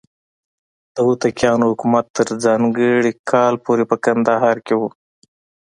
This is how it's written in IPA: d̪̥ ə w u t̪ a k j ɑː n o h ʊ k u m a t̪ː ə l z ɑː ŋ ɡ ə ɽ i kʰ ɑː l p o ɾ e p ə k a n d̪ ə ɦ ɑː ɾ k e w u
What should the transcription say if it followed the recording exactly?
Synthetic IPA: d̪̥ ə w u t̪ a k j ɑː n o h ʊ k u m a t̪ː ə ɾ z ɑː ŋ ɡ ə ɽ i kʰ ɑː l p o ɾ e p ə k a n d̪ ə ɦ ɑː ɾ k e w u